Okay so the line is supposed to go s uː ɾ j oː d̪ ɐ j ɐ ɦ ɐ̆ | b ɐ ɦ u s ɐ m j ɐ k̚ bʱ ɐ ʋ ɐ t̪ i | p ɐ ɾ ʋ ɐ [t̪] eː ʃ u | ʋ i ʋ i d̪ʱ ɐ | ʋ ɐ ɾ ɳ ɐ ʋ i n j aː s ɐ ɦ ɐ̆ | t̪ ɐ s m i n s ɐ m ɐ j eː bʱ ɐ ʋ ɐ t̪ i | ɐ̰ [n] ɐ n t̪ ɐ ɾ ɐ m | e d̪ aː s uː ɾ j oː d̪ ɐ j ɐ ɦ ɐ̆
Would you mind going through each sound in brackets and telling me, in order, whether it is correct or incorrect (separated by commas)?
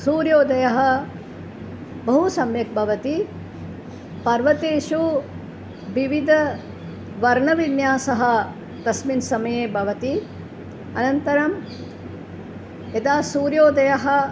correct, correct